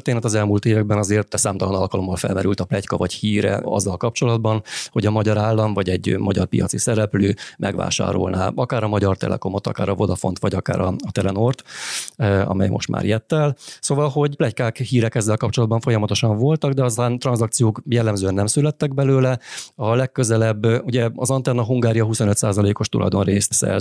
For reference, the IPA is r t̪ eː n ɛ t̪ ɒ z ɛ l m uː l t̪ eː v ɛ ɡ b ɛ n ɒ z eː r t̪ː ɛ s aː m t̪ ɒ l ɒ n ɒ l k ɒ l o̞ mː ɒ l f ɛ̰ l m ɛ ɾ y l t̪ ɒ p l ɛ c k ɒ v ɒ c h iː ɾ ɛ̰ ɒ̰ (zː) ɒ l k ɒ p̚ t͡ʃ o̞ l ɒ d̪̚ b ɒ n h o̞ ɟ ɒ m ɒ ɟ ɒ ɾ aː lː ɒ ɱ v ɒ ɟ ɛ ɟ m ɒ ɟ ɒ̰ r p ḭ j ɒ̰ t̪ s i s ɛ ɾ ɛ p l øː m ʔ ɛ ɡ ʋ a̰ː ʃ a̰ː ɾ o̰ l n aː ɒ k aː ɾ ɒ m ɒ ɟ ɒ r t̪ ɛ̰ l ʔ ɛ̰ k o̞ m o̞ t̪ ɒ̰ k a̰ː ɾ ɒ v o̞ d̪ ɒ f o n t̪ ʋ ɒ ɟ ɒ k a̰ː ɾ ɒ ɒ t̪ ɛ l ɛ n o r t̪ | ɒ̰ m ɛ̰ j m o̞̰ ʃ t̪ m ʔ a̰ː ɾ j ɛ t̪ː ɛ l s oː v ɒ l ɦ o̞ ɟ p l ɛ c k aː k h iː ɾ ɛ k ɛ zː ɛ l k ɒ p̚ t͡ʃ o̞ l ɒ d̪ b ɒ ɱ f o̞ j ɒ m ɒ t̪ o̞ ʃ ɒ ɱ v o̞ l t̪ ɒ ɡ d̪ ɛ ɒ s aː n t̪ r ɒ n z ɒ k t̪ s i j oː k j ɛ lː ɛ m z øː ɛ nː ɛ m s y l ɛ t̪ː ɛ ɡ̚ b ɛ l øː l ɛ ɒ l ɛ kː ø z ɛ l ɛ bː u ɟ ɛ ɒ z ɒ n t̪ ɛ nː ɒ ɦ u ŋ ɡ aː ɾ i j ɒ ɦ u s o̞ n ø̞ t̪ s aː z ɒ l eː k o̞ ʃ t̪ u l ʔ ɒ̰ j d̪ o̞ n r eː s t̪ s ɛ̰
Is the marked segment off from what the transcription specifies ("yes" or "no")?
no